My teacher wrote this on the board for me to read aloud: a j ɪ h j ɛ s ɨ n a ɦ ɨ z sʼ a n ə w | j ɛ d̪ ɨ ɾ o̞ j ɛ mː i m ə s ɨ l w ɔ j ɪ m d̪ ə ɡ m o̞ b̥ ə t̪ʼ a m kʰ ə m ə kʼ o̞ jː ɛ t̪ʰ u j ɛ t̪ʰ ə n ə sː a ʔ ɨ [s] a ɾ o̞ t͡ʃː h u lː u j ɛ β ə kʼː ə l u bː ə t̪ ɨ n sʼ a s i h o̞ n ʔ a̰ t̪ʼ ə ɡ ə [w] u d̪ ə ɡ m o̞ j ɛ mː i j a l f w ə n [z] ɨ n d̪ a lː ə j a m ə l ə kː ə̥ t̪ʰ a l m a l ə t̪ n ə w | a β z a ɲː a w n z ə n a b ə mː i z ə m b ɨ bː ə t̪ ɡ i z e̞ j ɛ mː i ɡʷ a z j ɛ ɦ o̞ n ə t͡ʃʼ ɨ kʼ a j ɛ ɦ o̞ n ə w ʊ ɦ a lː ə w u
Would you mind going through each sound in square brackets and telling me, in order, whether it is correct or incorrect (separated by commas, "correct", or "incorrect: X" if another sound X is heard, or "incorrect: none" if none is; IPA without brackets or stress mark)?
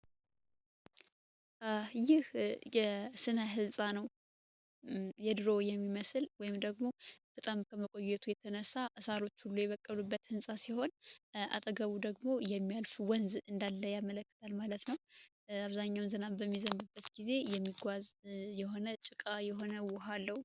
correct, incorrect: β, correct